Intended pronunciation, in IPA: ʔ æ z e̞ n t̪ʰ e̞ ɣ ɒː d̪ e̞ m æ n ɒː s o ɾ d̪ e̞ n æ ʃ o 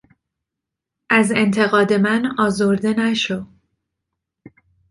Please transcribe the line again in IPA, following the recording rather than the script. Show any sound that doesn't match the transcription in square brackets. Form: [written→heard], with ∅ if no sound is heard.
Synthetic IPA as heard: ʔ æ z e̞ n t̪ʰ e̞ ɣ ɒː d̪ e̞ m æ n ɒː [s→z] o ɾ d̪ e̞ n æ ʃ o